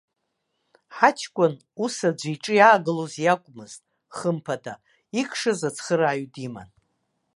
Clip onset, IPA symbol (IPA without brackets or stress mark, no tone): ħ